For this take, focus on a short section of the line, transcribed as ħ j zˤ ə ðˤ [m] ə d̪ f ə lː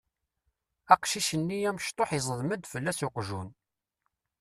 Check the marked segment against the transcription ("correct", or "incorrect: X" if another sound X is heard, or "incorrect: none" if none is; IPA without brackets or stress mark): correct